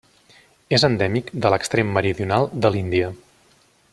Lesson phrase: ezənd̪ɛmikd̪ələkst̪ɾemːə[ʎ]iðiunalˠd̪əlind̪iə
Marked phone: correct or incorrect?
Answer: incorrect